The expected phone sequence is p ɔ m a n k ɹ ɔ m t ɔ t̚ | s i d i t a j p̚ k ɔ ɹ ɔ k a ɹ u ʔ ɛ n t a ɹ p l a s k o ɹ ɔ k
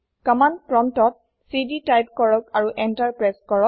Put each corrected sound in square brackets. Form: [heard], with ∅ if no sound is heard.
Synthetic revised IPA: [k] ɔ m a n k ɹ ɔ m t ɔ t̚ | s i d i t a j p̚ k ɔ ɹ ɔ k a ɹ u ʔ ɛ n t a ɹ p [ɹ] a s k [ɔ] ɹ ɔ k